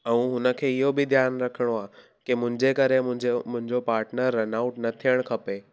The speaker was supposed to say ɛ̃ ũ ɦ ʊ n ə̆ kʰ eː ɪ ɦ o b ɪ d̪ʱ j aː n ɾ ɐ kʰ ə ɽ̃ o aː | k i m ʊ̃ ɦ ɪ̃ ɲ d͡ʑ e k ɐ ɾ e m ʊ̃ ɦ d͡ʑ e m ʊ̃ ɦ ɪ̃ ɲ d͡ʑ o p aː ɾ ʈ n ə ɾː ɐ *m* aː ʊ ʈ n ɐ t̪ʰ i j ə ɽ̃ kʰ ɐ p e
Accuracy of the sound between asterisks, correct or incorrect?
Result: incorrect